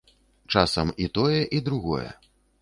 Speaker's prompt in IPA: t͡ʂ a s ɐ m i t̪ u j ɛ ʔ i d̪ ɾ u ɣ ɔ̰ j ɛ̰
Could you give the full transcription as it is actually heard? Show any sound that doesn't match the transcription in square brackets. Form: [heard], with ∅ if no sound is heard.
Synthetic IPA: t͡ʂ a s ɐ m i t̪ [ɔ] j ɛ ʔ i d̪ ɾ u ɣ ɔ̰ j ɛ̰